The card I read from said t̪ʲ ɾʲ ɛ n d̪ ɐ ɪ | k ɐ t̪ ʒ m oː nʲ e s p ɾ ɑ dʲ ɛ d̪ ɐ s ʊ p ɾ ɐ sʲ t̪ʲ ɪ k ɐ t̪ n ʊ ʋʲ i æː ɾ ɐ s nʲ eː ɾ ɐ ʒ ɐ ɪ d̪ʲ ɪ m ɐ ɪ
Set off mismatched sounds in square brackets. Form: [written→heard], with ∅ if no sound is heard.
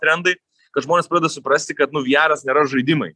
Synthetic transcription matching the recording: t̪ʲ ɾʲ ɛ n d̪ ɐ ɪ | k ɐ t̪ ʒ m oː nʲ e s p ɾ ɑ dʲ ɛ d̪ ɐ s ʊ p ɾ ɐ sʲ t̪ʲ ɪ k ɐ t̪ n ʊ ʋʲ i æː ɾ ɐ s nʲ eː ɾ ɐ ʒ ɐ ɪ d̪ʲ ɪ m ɐ ɪ